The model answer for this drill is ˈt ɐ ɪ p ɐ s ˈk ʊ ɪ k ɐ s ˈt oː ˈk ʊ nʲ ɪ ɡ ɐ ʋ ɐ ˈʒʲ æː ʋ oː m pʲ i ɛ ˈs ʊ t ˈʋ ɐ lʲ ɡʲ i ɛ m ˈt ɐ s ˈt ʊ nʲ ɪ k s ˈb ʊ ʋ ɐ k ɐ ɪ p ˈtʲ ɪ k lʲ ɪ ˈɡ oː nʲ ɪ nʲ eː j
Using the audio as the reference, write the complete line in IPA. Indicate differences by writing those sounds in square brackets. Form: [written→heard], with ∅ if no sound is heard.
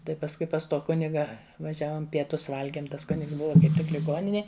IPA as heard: ˈt ɐ ɪ p ɐ s ˈk ʊ ɪ [k→p] ɐ s ˈt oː ˈk ʊ nʲ ɪ ɡ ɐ ʋ ɐ ˈʒʲ æː ʋ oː m pʲ i ɛ [ˈs→ˈt] ʊ [t→s] ˈʋ ɐ lʲ ɡʲ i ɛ m ˈt ɐ s [ˈt→ˈk] ʊ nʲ ɪ k s ˈb ʊ ʋ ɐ k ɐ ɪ p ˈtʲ ɪ k lʲ ɪ ˈɡ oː nʲ ɪ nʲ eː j